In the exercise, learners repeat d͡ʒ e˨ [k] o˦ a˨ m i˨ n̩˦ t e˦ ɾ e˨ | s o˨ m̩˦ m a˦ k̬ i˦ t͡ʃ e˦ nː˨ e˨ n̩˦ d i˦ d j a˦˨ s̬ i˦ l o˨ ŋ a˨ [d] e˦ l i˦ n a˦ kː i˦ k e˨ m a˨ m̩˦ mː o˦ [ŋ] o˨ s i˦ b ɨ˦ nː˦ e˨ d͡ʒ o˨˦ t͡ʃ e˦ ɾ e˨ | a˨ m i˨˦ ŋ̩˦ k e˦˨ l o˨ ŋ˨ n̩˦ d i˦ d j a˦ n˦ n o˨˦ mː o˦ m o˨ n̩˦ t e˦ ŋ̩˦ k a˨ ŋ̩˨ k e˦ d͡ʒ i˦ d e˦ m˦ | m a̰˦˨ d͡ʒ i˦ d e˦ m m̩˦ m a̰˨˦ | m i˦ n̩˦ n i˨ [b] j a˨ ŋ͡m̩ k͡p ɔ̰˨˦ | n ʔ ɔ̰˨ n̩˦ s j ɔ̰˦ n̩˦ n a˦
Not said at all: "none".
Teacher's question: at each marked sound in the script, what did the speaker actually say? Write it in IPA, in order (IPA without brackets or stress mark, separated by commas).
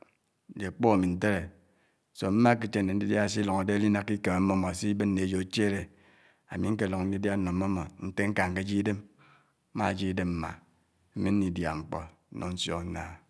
k͡p, d, m, d